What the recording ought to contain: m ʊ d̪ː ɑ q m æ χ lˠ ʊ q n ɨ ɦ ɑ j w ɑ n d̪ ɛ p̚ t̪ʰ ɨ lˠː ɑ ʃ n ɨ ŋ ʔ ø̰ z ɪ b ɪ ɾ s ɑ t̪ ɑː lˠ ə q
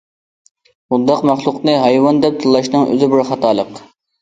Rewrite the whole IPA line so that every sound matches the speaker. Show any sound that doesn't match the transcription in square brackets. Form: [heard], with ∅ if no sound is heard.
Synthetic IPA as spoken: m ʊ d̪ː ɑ q m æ χ lˠ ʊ q n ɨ ɦ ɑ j w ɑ n d̪ ɛ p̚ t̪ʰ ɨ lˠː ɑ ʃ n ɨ ŋ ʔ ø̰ z ɪ b ɪ ɾ [χ] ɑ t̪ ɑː lˠ ə q